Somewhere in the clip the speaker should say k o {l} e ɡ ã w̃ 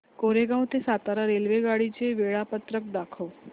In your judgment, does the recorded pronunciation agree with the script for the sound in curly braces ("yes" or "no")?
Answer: no